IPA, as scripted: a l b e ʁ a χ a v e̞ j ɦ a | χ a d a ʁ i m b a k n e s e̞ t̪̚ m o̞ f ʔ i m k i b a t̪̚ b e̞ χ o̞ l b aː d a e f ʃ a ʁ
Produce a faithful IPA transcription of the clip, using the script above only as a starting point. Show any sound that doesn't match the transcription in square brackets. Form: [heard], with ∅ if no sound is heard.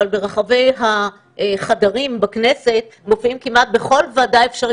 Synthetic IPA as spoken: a l b e ʁ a χ a v e̞ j ɦ a | χ a d a ʁ i m b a k n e s e̞ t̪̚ m o̞ f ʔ i m k i [m] a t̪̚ b e̞ χ o̞ l [v] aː d a e f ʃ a ʁ